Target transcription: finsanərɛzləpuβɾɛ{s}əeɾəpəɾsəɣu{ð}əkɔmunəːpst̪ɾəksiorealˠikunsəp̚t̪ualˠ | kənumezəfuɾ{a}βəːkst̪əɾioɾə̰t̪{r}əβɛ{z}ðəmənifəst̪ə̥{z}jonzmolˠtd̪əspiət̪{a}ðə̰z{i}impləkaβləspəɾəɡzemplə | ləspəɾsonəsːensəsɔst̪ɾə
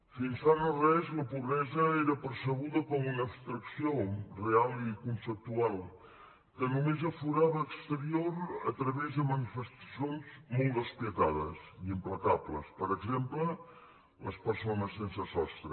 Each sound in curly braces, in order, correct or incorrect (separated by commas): incorrect, correct, correct, incorrect, correct, incorrect, correct, correct